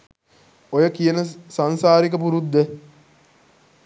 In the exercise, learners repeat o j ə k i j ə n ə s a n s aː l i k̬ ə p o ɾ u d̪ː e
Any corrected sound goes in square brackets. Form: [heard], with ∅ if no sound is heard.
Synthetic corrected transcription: o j ə k i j ə n ə s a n s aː [ɾ] i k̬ ə p [u] ɾ u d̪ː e

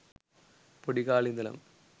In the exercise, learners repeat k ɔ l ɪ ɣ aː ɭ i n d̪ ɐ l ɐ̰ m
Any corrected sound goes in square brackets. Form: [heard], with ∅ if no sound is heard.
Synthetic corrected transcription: [p] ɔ [ɽ] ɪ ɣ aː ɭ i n d̪ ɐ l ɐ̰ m

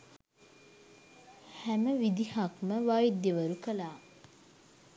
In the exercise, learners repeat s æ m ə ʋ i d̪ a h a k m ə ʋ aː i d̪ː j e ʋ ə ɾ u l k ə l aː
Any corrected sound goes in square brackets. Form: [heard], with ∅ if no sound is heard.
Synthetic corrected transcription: [h] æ m ə ʋ i d̪ [i] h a k m ə ʋ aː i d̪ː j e ʋ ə ɾ u [∅] k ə l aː

